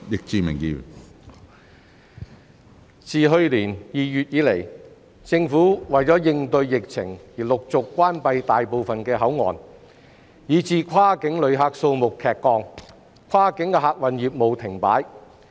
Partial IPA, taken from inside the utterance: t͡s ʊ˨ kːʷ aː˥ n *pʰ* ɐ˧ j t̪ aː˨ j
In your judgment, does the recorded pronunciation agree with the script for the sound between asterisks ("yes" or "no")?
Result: no